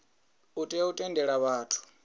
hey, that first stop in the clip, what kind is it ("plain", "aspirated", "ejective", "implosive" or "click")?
ejective